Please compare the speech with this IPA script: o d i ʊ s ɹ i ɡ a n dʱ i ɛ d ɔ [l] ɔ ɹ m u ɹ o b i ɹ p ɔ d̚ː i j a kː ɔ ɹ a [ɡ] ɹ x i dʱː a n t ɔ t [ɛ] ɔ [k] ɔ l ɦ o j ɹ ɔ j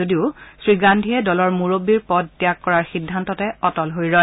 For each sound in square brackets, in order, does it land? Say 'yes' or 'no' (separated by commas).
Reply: yes, no, yes, no